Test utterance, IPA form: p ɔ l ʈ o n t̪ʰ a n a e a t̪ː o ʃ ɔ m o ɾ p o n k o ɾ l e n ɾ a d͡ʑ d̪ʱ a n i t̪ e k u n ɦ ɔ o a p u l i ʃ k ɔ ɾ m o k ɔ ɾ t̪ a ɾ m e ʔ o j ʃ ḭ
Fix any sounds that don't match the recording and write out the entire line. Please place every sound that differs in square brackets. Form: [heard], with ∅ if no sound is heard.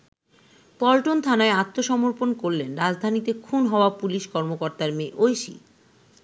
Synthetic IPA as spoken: p ɔ l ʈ o n t̪ʰ a n a e a t̪ː o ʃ ɔ m o ɾ p o n k o ɾ l e n ɾ a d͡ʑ d̪ʱ a n i t̪ e [kʰ] u n ɦ ɔ o a p u l i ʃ k ɔ ɾ m o k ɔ ɾ t̪ a ɾ m e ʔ o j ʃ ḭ

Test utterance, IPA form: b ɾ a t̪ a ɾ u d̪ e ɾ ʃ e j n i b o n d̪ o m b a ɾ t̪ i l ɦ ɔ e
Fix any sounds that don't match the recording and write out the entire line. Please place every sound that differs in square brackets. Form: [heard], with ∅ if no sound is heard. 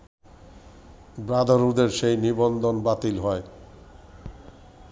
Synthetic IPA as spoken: b ɾ a [d̪] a ɾ u d̪ e ɾ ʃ e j n i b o n d̪ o [n] b a [∅] t̪ i l ɦ ɔ e

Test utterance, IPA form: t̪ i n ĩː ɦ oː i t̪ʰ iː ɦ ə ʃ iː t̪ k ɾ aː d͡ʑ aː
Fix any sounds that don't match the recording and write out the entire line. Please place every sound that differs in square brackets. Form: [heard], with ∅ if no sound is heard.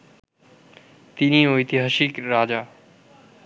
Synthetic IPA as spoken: t̪ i n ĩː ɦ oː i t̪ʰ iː ɦ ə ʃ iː [∅] k ɾ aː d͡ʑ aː

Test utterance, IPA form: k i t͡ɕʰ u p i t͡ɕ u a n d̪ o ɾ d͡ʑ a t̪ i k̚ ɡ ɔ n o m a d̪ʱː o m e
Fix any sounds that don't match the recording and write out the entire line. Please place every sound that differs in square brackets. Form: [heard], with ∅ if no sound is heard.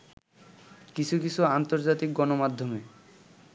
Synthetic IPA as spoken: k i t͡ɕʰ u [k] i [t͡ɕʰ] u a n [t̪] o ɾ d͡ʑ a t̪ i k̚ ɡ ɔ n o m a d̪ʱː o m e

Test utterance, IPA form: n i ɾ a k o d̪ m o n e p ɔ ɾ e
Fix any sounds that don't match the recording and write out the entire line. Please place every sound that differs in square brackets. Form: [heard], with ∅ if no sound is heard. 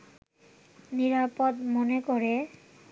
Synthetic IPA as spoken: n i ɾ a [p] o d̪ m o n e [k] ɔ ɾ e

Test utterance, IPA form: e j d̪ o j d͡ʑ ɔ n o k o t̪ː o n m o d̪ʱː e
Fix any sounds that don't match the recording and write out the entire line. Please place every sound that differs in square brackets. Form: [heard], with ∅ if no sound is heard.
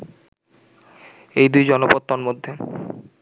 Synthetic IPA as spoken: e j d̪ [u] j d͡ʑ ɔ n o [p] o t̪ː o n m o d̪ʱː e

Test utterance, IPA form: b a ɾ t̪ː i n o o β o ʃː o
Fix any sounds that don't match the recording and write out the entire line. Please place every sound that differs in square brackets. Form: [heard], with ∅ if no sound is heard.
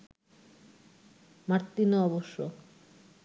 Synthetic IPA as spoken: [m] a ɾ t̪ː i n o [ɔ] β o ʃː o

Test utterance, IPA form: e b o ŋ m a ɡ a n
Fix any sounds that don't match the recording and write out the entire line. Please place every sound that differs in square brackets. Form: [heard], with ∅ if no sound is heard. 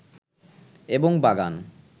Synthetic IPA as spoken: e b o ŋ [b] a ɡ a n

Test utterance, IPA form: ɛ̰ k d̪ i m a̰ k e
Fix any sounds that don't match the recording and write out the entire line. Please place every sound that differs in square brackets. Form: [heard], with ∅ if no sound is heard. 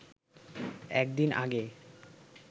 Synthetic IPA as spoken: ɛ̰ k d̪ i [n] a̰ [ɡ] e

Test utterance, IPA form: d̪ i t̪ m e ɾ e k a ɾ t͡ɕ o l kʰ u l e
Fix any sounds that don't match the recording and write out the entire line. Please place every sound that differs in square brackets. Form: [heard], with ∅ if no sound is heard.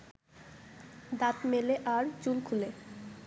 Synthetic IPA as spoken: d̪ [a] t̪ m e [l] e [ʔ] a ɾ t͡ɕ [u] l kʰ u l e

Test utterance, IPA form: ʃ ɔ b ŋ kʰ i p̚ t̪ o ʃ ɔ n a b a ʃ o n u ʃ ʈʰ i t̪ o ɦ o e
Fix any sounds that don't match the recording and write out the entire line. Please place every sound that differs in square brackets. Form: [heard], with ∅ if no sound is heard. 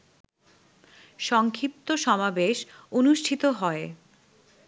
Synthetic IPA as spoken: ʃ ɔ [∅] ŋ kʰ i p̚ t̪ o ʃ ɔ [m] a b [e] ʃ o n u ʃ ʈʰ i t̪ o ɦ [ɔ] e

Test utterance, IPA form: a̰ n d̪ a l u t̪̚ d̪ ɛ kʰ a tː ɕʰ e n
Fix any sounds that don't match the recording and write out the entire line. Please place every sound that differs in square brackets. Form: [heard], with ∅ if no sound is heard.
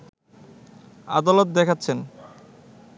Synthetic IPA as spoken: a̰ [∅] d̪ a l [o] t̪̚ d̪ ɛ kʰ a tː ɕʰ e n

